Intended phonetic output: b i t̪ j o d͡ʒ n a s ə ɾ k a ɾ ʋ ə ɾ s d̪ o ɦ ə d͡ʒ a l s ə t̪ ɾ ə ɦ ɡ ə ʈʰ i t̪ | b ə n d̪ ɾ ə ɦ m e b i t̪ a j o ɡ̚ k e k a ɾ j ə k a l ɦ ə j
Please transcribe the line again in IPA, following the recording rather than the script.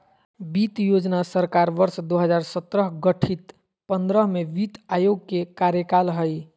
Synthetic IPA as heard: b i t̪ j o d͡ʒ n a s ə ɾ k a ɾ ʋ ə ɾ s d̪ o ɦ ə d͡ʒ a ɾ s ə t̪ ɾ ə ɦ ɡ ə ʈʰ i t̪ | p ə n d̪ ɾ ə ɦ m e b i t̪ a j o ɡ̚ k e k a ɾ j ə k a l ɦ ə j